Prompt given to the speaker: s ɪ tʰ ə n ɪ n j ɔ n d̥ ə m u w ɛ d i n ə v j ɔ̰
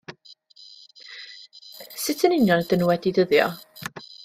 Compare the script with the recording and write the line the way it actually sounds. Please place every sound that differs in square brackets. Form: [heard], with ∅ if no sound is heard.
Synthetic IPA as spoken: s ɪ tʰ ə n ɪ n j ɔ n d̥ ə [n] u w ɛ d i [d] ə [ð] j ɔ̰